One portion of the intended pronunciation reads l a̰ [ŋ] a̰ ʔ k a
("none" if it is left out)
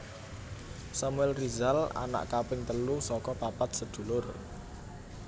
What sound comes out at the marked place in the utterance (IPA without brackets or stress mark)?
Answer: n